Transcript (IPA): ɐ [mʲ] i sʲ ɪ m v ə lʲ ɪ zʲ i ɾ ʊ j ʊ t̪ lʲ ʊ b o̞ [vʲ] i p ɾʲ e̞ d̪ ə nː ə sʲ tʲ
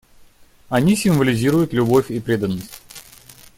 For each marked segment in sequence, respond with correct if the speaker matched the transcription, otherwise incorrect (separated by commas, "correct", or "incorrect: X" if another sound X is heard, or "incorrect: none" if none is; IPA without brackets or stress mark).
incorrect: nʲ, incorrect: fʲ